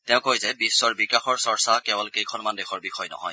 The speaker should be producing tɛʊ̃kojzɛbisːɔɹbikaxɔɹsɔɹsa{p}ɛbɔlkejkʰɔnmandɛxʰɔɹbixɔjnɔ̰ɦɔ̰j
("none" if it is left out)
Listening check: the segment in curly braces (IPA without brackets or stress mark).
k